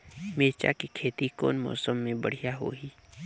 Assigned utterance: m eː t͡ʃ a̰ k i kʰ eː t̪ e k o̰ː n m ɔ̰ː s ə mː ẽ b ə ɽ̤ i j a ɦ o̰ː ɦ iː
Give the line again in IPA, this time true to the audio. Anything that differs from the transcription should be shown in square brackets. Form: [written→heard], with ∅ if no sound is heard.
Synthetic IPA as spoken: m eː t͡ʃ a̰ k i kʰ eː t̪ [e→i] k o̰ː n m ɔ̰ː s ə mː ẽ b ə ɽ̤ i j a ɦ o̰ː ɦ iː